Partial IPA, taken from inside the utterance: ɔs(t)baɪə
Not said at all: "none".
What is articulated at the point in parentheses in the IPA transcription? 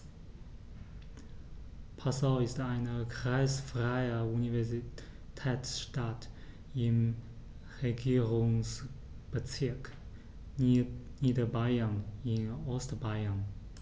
t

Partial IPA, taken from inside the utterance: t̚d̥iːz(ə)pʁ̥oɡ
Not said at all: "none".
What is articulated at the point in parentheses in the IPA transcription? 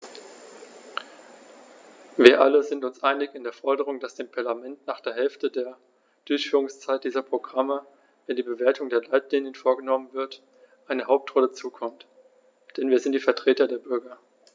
ɐ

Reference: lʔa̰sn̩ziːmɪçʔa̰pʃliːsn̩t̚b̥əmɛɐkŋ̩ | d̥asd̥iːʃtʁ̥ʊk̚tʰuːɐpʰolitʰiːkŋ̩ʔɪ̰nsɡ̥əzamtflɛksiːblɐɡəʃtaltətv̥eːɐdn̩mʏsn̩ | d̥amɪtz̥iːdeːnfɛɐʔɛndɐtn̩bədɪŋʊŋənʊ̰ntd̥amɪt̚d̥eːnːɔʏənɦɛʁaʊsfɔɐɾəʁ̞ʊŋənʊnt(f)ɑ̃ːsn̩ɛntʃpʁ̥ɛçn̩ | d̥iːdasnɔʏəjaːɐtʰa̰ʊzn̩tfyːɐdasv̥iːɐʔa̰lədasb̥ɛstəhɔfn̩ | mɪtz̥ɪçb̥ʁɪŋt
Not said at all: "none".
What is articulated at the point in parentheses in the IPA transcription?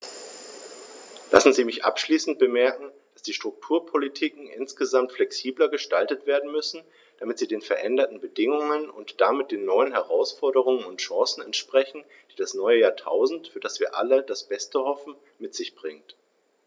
ʃ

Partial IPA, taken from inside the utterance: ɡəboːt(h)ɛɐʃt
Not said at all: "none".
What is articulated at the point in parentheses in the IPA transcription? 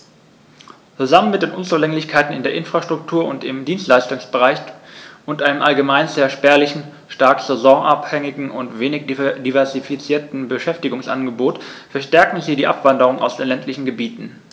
f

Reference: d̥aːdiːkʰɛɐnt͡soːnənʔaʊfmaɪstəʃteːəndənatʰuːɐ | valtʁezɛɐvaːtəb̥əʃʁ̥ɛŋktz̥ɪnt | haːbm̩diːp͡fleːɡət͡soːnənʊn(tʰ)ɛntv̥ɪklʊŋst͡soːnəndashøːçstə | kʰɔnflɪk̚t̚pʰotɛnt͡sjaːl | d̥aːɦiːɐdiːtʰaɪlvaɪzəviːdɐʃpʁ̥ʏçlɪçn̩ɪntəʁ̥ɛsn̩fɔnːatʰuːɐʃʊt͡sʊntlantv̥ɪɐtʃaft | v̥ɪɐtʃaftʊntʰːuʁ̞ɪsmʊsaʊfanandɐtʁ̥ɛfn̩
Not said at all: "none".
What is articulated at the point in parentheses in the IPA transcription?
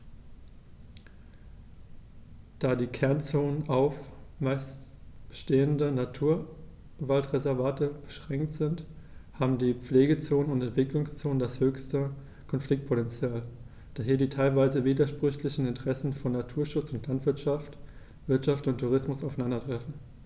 t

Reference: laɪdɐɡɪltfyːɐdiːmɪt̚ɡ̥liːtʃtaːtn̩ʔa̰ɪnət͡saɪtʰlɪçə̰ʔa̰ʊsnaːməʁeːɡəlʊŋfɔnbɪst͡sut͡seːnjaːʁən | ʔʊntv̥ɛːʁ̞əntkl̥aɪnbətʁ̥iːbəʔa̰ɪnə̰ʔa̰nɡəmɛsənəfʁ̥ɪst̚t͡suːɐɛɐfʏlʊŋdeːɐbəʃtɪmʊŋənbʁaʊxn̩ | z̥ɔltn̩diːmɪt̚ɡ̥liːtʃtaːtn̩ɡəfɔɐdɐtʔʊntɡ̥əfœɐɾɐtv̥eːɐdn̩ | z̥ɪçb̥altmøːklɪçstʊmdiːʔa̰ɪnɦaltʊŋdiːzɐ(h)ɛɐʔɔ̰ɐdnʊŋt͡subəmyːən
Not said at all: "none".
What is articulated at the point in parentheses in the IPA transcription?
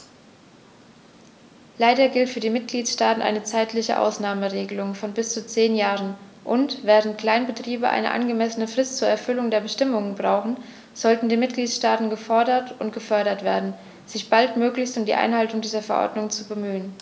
f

